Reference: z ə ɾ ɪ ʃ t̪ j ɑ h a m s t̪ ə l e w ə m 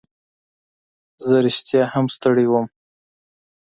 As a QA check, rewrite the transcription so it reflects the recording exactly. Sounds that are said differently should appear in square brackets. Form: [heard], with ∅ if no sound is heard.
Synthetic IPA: z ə ɾ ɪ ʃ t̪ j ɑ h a m s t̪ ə [ɽ] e w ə m